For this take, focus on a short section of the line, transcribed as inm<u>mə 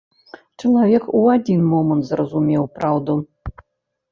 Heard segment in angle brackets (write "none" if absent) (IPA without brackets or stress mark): ɔ